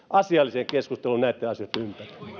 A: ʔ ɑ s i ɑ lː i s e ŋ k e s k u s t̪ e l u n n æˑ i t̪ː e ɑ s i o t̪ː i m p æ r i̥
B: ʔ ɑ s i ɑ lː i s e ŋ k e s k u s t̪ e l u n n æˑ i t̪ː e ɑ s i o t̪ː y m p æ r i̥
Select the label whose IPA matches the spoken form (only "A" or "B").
B